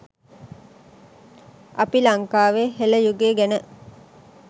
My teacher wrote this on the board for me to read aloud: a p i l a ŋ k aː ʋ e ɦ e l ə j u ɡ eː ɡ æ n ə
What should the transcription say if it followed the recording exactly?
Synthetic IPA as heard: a p i l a ŋ k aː ʋ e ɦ e l ə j u ɡ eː ɡ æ n ə